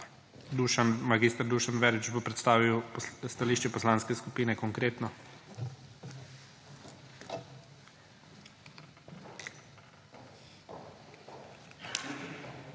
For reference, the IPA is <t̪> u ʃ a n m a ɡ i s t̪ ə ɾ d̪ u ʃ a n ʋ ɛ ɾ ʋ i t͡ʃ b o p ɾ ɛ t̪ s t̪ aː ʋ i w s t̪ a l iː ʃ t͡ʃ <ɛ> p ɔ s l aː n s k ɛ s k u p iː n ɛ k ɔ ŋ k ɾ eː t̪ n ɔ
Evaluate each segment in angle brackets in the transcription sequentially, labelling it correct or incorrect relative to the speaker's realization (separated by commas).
incorrect, correct